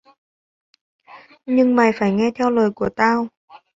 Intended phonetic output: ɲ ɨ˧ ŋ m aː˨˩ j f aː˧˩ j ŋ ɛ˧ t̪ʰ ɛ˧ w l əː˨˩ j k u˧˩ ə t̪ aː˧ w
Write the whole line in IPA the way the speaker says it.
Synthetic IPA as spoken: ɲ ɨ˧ ŋ m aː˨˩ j f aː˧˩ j ŋ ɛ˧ t̪ʰ ɛ˧ w l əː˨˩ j k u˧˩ ə t̪ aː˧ w